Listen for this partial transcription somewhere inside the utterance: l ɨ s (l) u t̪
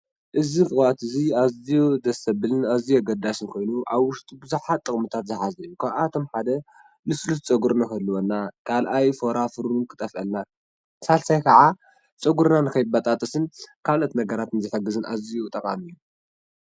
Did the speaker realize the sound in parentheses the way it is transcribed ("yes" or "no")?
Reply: yes